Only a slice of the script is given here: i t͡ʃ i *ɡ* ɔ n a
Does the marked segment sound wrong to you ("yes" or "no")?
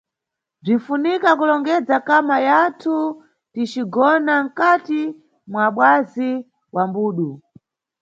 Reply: no